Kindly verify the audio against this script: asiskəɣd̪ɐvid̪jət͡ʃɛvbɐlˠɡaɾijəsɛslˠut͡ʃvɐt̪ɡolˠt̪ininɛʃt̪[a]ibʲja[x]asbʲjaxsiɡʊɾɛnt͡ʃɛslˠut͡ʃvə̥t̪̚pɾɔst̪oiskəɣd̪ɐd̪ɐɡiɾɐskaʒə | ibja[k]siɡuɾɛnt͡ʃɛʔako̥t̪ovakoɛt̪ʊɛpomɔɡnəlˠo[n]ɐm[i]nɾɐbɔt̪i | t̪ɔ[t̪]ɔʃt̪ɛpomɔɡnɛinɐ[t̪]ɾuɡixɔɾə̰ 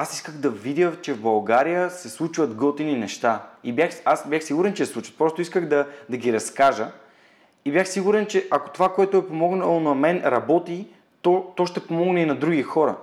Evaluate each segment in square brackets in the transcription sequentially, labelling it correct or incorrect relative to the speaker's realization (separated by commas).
correct, correct, incorrect, correct, incorrect, correct, incorrect